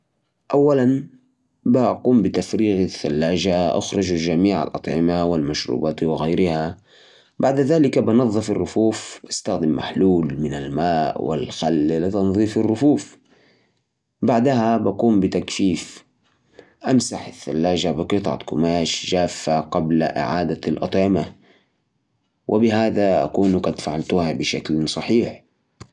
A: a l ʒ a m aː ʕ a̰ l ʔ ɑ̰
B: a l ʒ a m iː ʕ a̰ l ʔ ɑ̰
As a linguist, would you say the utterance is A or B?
B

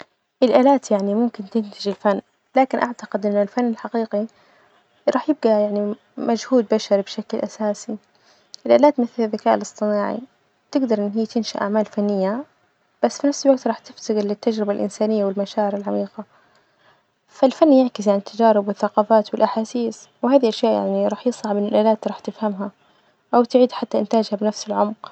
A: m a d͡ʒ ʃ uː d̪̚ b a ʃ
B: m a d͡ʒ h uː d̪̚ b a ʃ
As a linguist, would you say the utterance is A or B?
B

